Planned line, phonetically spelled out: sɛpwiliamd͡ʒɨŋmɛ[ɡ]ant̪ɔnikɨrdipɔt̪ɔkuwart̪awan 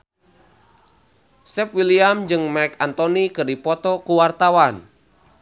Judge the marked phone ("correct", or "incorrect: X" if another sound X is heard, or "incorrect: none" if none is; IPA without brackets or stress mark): incorrect: k